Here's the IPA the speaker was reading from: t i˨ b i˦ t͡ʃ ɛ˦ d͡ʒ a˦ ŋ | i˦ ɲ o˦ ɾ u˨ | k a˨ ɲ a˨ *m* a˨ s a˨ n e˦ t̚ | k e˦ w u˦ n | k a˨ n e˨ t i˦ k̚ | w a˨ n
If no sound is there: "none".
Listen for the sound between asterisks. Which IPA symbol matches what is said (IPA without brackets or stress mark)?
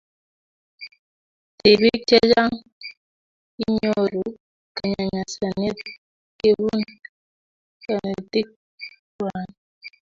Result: ɲ